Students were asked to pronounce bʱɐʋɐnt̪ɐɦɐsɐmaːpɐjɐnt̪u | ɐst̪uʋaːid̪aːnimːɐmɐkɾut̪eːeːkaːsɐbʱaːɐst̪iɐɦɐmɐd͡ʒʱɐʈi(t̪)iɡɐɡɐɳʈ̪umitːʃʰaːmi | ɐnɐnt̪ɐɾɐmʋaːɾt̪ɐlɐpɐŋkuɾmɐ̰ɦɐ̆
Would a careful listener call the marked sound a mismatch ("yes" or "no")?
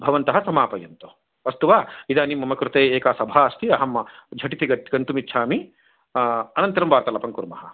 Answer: no